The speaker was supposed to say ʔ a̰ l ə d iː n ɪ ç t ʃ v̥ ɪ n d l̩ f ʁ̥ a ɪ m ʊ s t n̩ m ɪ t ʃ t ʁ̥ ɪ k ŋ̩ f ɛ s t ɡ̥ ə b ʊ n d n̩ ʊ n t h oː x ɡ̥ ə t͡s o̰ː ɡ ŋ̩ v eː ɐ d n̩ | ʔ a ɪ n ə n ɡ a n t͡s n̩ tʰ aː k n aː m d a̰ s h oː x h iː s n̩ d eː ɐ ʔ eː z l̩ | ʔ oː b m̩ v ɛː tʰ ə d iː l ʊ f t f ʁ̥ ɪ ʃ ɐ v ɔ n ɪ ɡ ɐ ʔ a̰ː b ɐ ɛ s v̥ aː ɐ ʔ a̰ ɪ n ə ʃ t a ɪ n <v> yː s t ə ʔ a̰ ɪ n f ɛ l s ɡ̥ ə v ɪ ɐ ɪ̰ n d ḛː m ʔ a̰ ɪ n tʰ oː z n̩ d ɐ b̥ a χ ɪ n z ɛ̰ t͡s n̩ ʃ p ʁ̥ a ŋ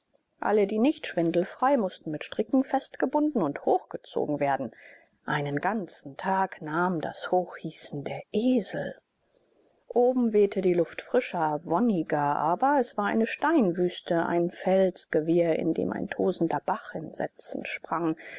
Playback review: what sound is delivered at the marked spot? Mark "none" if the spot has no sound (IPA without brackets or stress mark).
v